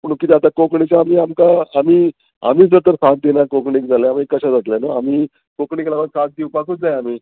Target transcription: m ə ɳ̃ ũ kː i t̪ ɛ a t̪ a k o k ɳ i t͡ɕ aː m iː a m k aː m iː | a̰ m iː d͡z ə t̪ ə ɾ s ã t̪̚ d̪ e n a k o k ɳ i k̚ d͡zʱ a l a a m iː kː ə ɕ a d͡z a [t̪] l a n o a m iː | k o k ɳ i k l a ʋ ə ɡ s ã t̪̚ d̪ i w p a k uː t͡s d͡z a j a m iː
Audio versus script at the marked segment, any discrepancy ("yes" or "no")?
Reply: no